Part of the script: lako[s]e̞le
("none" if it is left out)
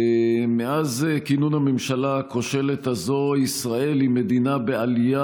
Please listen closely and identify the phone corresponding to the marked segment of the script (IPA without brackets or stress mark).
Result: ʃ